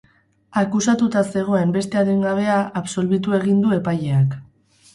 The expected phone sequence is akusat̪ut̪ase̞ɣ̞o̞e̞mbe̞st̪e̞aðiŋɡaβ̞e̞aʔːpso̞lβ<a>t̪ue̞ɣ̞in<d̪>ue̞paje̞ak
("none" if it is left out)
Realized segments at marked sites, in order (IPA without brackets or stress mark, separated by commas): i, d̪